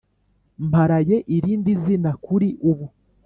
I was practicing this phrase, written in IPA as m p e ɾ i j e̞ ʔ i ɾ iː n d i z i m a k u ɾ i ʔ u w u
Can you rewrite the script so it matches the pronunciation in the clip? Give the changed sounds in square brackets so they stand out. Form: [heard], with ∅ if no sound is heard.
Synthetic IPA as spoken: m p [a] ɾ [a] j e̞ ʔ i ɾ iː n d i z i [n] a k u ɾ i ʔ u [β] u